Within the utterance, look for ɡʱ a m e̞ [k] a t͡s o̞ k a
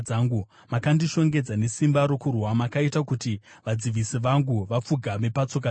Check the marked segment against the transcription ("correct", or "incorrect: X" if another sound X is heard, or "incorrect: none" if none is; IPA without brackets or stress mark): incorrect: p